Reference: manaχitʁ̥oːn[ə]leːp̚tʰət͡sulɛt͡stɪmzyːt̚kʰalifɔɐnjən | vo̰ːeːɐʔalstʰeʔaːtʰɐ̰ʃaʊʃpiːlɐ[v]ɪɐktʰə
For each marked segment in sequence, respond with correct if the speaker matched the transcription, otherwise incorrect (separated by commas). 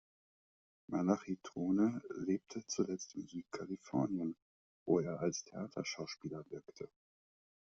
correct, correct